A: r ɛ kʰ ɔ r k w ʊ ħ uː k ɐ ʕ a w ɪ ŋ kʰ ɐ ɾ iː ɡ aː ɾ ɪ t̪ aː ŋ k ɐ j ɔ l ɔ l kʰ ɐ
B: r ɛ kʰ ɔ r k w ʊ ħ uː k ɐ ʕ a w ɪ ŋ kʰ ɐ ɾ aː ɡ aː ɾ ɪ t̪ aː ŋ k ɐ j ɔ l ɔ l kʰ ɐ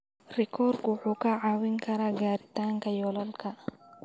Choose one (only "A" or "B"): B